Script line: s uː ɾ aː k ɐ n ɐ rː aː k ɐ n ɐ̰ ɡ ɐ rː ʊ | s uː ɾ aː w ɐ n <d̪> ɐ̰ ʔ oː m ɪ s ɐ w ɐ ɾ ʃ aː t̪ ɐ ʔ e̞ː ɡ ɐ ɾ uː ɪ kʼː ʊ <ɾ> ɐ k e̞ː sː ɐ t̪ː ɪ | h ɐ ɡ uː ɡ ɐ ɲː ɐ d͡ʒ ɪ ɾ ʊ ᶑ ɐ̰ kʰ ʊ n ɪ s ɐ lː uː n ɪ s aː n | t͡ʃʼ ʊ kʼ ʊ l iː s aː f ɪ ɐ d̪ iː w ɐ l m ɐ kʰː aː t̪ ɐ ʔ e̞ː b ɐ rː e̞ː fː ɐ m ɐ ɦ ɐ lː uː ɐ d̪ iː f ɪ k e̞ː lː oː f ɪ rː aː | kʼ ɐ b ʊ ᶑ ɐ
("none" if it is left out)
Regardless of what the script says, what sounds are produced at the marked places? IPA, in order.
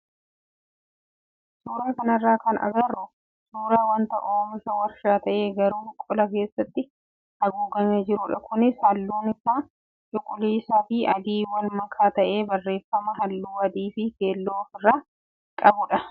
t̪, l

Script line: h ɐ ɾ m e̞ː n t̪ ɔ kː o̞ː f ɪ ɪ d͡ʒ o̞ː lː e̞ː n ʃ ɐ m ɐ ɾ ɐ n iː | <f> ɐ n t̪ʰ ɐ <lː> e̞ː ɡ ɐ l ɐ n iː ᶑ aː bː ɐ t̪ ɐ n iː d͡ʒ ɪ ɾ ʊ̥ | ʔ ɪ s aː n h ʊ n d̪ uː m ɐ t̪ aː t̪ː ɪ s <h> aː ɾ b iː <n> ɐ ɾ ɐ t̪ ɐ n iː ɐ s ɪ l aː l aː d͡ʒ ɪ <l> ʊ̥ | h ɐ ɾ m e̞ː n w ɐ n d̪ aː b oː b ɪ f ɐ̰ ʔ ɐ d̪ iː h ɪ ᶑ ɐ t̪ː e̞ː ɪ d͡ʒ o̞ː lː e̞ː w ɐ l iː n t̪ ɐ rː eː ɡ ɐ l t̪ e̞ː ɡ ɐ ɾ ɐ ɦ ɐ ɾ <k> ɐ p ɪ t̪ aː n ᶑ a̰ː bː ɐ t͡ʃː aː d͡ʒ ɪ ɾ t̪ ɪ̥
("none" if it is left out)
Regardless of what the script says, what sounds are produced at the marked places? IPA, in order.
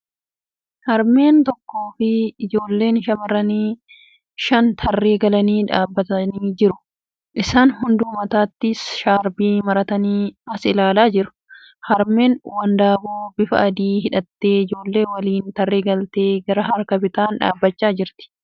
ʃ, rː, ʃ, m, ɾ, k

